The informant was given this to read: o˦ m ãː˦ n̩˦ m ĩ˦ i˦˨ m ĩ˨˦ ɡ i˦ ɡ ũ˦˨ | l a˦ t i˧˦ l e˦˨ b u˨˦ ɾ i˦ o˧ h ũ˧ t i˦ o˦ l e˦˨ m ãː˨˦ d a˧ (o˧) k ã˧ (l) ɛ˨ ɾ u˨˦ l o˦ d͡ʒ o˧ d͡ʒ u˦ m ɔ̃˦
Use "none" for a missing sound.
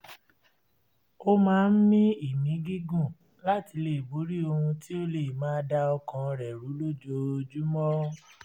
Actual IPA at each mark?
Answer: ɔ˧, ɾ

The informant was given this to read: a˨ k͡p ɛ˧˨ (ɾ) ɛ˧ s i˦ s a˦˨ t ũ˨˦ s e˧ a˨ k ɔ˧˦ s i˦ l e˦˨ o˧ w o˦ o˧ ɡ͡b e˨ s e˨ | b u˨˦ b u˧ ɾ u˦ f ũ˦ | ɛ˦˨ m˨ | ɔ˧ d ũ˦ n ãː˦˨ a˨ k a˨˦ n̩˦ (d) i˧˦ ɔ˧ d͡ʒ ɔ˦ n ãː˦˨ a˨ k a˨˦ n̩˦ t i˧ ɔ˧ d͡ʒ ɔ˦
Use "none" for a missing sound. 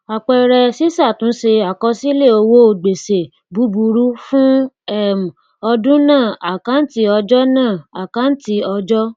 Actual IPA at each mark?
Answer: ɾ, t

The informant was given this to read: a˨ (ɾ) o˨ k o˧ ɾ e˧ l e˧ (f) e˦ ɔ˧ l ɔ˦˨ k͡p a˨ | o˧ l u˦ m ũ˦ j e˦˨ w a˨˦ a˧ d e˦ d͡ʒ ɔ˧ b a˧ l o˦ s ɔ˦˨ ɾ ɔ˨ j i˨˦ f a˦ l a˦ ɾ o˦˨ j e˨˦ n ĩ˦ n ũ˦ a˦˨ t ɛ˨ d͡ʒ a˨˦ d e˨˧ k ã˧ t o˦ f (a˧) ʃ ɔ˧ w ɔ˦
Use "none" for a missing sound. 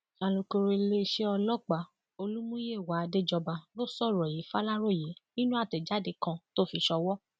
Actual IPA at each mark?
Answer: l, ʃ, i˧

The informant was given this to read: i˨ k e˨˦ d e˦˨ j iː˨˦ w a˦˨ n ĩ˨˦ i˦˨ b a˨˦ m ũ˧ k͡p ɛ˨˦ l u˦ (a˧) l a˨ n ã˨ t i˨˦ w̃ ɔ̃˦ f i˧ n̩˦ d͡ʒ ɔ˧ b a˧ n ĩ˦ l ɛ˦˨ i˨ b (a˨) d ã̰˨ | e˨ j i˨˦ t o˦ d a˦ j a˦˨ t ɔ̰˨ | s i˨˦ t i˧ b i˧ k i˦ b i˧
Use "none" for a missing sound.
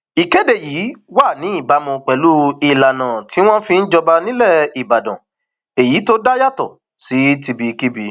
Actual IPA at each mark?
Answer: i˧, a˨

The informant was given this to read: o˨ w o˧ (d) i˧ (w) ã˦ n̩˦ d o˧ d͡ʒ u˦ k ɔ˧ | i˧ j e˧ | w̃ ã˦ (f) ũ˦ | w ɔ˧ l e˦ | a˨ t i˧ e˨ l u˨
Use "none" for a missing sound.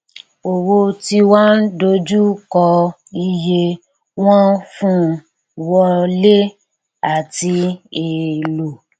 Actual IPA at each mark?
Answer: t, w, f

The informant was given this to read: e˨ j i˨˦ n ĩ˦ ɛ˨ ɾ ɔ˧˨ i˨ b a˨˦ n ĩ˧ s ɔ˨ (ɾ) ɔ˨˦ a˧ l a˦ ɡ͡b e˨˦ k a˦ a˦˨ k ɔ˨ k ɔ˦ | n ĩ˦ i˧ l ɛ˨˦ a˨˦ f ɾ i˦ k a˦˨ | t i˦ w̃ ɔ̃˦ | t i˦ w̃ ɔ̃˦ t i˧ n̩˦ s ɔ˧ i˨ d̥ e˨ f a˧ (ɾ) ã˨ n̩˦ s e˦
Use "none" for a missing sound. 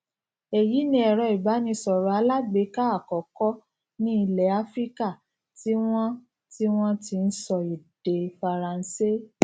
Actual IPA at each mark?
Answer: ɾ, ɾ

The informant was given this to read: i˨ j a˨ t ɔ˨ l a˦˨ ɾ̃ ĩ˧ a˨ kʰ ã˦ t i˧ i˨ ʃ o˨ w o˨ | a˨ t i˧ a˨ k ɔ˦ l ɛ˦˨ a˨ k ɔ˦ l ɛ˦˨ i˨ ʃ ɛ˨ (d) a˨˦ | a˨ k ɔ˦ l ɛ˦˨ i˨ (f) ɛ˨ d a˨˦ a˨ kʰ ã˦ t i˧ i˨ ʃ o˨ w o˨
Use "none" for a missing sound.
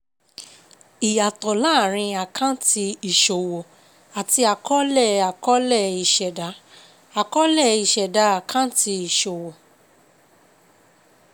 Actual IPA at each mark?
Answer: d, ʃ

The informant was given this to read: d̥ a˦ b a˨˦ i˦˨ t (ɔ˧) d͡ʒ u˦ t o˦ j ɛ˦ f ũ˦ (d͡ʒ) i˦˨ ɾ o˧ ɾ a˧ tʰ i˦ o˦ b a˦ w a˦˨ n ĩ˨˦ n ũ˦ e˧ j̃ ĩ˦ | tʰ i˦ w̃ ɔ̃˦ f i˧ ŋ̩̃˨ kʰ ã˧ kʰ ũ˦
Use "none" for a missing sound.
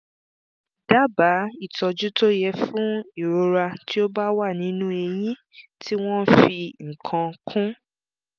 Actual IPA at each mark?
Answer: ɔ˧, none

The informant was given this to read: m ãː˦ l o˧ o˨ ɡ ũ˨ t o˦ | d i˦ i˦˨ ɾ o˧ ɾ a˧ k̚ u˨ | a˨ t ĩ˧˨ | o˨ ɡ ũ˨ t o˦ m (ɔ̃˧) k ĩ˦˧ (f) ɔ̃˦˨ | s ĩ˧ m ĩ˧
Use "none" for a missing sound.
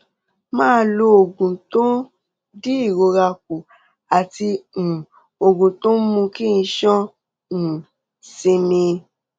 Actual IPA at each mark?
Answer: ũ˧, ʃ

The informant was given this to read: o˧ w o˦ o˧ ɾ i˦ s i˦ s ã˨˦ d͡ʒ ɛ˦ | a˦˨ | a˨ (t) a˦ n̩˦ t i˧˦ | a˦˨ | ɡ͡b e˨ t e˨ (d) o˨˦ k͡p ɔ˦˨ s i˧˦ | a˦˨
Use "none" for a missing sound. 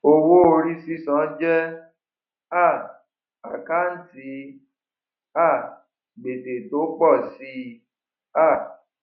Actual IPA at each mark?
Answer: k, t

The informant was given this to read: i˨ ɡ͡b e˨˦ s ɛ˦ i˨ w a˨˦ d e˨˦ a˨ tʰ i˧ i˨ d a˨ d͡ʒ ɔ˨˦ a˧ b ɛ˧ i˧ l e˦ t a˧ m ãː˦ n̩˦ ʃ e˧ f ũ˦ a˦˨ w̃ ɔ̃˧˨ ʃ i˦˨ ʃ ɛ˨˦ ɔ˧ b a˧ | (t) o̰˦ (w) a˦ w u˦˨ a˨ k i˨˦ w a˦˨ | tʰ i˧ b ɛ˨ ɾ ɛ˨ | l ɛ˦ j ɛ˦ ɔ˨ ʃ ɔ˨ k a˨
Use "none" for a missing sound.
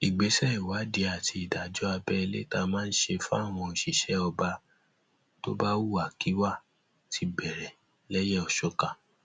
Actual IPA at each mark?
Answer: t, b

